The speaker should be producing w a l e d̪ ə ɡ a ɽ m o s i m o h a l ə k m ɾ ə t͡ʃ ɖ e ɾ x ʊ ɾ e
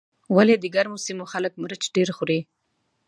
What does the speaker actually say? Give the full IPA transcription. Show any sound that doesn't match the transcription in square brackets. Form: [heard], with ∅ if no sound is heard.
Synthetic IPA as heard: w a l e d̪ ə ɡ a [ɾ] m o s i m o [x] a l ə k m ɾ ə t͡ʃ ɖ e ɾ x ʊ ɾ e